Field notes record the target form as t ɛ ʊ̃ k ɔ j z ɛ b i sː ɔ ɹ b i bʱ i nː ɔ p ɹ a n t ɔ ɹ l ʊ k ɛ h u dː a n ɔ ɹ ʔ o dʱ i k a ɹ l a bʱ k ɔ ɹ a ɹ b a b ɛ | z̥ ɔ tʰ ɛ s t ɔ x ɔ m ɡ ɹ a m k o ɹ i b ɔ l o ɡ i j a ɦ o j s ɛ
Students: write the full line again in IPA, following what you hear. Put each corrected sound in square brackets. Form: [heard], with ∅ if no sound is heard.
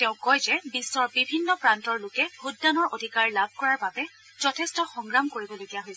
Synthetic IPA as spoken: t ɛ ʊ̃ k ɔ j z ɛ b i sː ɔ ɹ b i bʱ i nː ɔ p ɹ a n t ɔ ɹ l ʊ k ɛ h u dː a n ɔ ɹ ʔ o dʱ i k a ɹ l a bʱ k ɔ ɹ a ɹ b a b ɛ | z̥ ɔ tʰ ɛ s t ɔ x ɔ [ŋ] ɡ ɹ a m k o ɹ i b ɔ l o ɡ i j a ɦ o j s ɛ